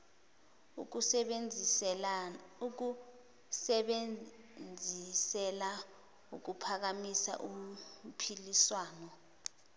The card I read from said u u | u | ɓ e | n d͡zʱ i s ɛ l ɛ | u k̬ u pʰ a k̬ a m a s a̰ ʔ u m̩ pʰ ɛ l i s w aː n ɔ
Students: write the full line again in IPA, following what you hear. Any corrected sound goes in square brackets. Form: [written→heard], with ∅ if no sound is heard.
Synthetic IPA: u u | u | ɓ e | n d͡zʱ i s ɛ l [ɛ→a] | u k̬ u pʰ a k̬ a m [a→i] s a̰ ʔ u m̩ pʰ [ɛ→i] l i s w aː n ɔ